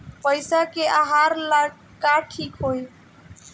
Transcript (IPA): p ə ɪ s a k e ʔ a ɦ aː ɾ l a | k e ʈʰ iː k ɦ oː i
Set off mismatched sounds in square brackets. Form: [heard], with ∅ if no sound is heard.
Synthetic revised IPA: p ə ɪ s a k e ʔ a ɦ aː ɾ l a | k [a] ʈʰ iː k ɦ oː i